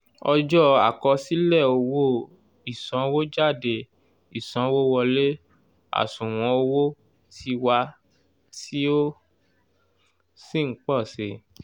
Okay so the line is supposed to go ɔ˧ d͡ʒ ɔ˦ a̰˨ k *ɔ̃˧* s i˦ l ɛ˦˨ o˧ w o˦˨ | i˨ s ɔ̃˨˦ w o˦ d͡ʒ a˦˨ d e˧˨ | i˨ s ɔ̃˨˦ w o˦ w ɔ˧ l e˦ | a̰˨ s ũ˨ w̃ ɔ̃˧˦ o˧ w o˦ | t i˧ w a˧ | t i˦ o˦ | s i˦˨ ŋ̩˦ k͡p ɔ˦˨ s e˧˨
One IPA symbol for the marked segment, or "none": ɔ˧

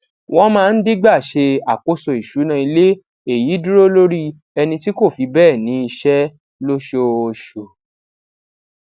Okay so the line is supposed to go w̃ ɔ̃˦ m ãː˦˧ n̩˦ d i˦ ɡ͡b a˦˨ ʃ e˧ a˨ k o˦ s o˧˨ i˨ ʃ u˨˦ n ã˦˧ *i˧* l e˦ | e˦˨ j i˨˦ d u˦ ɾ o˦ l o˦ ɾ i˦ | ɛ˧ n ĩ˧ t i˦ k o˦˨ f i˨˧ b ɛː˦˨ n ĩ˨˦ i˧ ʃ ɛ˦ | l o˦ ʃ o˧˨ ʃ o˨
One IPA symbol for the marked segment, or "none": i˧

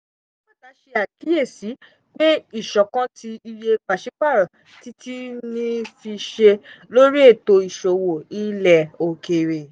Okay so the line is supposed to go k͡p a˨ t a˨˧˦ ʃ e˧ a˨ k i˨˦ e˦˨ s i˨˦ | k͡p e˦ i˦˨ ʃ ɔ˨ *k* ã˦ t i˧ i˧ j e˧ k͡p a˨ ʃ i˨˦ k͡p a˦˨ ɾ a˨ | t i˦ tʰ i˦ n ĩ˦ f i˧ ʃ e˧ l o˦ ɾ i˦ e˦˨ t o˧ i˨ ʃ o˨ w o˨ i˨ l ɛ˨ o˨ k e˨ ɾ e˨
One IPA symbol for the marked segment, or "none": k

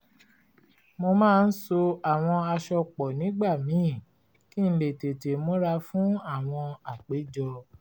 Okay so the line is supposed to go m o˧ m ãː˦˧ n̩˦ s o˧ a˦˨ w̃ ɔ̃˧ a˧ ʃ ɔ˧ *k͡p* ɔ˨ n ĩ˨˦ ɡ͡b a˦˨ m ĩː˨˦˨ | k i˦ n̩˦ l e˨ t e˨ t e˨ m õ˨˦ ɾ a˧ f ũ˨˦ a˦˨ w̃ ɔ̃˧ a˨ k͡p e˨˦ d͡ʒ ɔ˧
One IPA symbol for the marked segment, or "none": k͡p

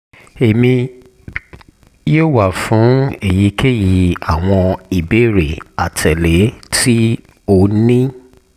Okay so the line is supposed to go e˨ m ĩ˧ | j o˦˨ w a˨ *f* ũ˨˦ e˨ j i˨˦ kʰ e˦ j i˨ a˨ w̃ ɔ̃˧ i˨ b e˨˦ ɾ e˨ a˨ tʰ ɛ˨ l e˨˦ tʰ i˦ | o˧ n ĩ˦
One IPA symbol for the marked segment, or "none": f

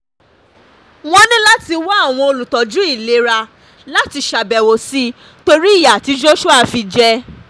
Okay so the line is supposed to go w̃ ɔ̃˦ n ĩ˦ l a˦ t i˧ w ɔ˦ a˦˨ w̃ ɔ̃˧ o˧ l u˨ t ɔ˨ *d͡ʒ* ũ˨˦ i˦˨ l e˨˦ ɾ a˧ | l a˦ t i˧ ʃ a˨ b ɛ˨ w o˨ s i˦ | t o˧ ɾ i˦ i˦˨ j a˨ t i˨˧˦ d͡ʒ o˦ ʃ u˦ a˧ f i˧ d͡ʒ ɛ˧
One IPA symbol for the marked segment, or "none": d͡ʒ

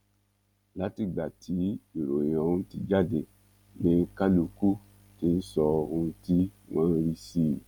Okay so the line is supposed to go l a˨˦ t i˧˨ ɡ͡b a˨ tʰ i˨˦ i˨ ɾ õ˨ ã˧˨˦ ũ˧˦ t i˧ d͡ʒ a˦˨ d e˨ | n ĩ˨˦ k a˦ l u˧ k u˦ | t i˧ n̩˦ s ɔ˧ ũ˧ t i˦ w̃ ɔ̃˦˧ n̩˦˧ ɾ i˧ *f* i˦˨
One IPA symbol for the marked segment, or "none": s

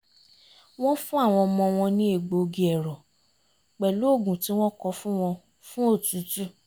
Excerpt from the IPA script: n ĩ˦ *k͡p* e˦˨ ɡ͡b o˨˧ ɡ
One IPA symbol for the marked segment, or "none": none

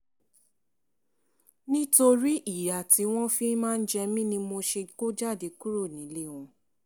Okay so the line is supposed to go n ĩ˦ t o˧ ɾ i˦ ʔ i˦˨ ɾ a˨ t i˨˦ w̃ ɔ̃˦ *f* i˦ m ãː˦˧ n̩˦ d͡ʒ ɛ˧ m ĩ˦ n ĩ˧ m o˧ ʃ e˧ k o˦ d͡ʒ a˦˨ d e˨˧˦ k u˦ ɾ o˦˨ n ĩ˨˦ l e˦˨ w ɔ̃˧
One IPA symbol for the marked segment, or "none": f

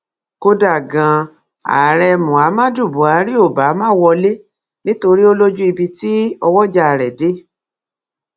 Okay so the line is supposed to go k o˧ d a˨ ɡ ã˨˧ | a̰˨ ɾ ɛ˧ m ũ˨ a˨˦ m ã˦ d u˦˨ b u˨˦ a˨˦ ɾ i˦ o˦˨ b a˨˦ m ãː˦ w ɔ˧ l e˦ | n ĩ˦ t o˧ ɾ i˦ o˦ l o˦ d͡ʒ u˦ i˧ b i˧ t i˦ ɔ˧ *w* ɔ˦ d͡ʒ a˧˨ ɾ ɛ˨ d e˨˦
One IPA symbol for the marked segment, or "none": w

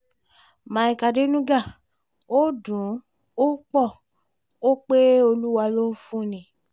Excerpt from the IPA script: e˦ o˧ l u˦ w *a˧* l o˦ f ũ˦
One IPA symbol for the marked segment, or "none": a˧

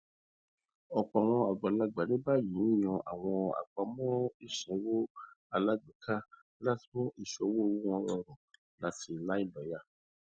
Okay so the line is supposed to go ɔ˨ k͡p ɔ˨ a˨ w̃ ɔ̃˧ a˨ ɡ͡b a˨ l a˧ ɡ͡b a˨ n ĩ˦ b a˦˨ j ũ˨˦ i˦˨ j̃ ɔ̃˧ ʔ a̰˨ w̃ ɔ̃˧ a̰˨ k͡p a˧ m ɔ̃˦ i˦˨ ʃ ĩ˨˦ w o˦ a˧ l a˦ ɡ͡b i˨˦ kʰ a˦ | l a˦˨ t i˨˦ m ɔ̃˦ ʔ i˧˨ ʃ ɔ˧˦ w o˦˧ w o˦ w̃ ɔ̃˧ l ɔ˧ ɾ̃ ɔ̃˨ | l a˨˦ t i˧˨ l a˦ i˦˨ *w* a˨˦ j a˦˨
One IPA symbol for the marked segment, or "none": b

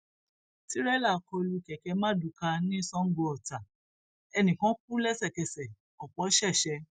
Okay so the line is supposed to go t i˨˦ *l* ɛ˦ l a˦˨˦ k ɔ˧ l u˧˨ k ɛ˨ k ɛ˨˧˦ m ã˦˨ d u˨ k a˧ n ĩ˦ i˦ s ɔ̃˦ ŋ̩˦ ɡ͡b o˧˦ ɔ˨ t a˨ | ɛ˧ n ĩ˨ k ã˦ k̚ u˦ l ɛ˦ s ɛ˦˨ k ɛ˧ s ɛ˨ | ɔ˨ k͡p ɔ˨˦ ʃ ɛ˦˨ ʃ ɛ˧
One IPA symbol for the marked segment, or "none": ɾ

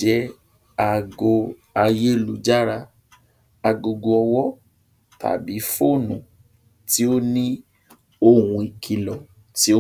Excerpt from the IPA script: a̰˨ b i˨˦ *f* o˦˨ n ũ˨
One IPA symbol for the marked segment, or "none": f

